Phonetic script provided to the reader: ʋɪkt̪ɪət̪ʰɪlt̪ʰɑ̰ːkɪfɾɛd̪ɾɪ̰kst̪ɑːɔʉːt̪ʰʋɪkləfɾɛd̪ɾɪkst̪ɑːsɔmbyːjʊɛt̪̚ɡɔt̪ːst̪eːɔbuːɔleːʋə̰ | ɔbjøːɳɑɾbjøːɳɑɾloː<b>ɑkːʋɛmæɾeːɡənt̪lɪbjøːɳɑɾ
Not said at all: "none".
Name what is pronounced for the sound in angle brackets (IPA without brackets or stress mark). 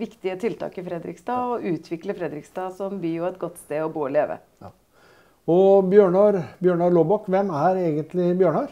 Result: b